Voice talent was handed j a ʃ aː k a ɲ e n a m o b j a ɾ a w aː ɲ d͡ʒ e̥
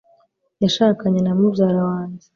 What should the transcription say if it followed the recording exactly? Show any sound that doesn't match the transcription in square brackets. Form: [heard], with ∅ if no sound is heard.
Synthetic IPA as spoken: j a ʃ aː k a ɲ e n a m [u] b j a ɾ a w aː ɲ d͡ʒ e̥